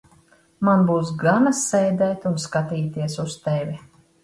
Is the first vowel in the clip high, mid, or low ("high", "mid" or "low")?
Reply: low